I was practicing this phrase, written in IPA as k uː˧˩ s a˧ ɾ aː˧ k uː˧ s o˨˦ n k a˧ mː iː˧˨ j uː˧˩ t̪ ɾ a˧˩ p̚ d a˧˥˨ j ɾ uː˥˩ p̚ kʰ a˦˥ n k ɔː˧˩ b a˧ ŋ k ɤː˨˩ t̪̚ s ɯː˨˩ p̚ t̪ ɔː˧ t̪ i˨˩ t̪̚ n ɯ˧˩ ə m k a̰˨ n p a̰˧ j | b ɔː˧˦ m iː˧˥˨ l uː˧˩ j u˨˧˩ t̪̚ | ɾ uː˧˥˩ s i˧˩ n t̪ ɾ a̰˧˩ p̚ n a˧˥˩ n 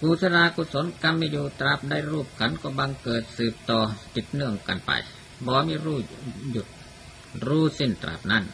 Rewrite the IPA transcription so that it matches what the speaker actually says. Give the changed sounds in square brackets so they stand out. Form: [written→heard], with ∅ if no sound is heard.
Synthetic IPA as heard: k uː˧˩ s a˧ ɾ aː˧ k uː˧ s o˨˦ n k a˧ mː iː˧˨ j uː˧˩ t̪ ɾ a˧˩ p̚ d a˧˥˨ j ɾ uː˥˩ p̚ kʰ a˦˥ n k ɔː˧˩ b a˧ ŋ k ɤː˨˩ t̪̚ s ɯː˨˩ p̚ t̪ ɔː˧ t̪ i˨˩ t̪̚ n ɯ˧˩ ə [m→ŋ] k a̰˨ n p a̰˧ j | b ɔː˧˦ m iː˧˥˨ [l→ɾ] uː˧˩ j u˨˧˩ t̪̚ | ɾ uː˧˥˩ s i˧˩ n t̪ ɾ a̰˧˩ p̚ n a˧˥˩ n